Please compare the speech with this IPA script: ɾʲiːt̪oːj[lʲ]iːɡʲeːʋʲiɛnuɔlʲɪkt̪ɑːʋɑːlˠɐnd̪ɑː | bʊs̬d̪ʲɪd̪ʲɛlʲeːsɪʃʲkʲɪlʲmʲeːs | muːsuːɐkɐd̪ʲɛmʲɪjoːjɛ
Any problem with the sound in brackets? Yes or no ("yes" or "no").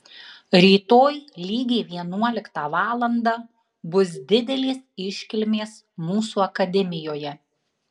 no